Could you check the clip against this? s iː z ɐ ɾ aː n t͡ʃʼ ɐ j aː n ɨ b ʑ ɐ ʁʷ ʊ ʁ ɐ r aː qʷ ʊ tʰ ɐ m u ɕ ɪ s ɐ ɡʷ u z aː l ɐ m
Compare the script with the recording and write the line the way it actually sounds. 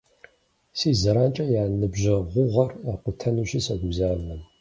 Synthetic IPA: s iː z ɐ ɾ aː n t͡ʃʼ ɐ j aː n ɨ b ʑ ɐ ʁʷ ʊ ʁ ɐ r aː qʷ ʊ tʰ ɐ n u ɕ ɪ s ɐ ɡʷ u z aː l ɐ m